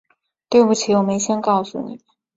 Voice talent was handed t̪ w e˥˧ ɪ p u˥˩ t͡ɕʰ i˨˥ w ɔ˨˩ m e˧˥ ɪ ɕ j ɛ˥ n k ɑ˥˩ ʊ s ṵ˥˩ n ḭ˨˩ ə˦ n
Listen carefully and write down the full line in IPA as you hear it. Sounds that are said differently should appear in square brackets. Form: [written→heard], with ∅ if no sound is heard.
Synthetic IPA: t̪ w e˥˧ ɪ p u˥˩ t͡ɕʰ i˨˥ w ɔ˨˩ m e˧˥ ɪ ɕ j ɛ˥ n k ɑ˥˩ ʊ s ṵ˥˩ n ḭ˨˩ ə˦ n